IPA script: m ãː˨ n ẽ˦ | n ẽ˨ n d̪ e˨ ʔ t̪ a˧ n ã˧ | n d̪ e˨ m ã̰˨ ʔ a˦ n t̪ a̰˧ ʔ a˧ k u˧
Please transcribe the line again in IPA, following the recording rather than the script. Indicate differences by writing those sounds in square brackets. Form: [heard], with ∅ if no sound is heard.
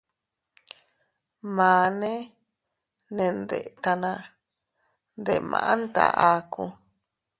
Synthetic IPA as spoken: m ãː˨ n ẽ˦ | n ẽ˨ n d̪ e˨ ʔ t̪ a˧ n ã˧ | n d̪ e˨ m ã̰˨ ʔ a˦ n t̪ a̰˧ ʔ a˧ k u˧